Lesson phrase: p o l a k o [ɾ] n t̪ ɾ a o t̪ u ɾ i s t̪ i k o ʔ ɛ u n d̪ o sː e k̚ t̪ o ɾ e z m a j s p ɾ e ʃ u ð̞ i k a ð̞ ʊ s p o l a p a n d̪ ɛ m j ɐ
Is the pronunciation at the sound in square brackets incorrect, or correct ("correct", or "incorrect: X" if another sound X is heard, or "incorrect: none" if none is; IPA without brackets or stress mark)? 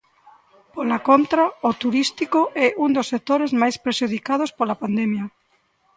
incorrect: none